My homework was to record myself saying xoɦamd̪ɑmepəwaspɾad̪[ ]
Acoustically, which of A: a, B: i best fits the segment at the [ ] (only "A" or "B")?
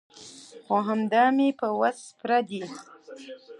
B